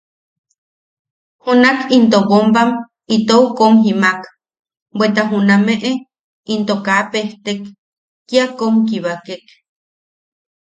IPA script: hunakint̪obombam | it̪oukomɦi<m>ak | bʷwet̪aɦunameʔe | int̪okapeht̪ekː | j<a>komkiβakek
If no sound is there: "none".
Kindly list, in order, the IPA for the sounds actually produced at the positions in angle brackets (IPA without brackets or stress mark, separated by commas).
m, a